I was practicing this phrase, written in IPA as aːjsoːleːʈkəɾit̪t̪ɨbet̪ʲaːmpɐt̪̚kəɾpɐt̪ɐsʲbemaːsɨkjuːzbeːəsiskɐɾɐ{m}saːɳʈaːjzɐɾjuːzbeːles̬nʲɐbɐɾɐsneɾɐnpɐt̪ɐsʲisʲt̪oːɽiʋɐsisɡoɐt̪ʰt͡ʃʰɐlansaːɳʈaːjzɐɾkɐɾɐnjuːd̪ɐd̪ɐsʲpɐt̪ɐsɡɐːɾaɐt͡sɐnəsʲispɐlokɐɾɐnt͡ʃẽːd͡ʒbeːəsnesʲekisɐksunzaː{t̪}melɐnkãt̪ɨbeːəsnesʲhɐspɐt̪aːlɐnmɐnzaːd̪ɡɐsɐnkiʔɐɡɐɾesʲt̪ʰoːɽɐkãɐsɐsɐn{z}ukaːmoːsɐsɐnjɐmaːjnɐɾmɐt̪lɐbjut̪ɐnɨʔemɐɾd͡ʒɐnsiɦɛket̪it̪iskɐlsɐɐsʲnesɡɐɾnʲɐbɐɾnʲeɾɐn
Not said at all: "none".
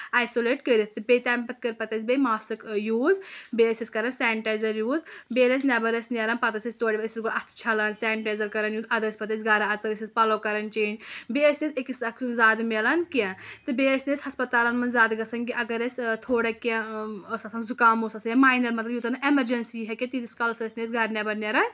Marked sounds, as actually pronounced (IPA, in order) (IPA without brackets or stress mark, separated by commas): n, d̪, z